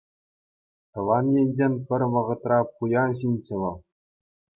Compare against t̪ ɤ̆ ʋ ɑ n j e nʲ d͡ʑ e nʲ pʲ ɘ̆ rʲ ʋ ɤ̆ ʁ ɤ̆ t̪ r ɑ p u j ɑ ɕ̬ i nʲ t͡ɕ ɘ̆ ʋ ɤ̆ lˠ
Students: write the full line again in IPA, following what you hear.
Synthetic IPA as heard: t̪ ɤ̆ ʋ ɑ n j e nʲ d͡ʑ e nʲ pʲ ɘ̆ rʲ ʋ ɤ̆ ʁ ɤ̆ t̪ r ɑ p u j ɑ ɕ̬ i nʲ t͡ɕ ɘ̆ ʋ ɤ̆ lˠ